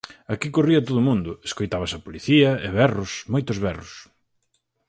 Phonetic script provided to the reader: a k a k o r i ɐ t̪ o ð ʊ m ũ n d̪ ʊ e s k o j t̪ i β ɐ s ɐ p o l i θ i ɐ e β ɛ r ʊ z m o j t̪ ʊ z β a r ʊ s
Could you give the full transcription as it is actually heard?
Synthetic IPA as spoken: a k i k o r i ɐ t̪ o ð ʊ m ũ n d̪ ʊ e s k o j t̪ a β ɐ s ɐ p o l i θ i ɐ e β ɛ r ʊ s m o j t̪ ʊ z β ɛ r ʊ s